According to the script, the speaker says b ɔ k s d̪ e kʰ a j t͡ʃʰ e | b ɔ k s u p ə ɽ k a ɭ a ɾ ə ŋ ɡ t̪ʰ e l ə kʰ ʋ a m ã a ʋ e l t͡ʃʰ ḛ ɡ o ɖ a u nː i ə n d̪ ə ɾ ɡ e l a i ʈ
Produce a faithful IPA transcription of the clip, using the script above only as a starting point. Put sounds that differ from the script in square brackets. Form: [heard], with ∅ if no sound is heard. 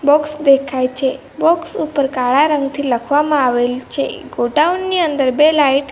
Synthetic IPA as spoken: b ɔ k s d̪ e kʰ a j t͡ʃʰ e | b ɔ k s u p ə [ɾ] k a ɭ a ɾ ə ŋ ɡ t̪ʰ [i] l ə kʰ ʋ a m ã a ʋ e l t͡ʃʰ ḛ ɡ o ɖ a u nː i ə n d̪ ə ɾ [b] e l a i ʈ